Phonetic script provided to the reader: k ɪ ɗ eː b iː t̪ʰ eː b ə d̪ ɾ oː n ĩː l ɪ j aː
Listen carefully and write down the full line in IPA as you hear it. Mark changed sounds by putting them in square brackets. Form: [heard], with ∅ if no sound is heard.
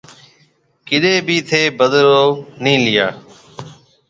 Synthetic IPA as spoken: k ɪ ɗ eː b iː t̪ʰ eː b ə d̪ ɾ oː n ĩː l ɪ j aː